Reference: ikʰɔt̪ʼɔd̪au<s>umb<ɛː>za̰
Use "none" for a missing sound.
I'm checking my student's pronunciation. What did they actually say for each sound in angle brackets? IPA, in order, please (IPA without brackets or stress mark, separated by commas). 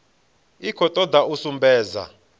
s, ɛː